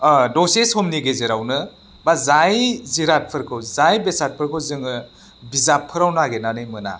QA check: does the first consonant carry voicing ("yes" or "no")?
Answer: yes